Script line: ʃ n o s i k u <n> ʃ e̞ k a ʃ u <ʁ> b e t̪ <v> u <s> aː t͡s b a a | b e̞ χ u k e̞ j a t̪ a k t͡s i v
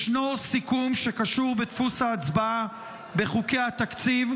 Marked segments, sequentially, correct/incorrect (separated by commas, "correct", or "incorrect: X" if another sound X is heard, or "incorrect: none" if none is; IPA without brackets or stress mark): incorrect: m, correct, incorrect: f, correct